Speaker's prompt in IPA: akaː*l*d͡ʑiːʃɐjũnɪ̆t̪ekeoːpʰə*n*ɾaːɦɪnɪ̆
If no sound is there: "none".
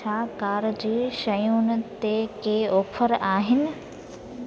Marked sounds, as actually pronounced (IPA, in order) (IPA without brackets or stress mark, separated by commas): ɾ, none